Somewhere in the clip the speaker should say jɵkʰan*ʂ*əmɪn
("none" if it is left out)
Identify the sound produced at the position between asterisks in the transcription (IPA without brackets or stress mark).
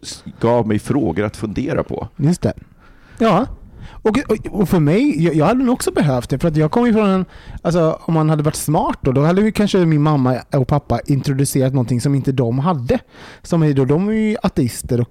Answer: ʂ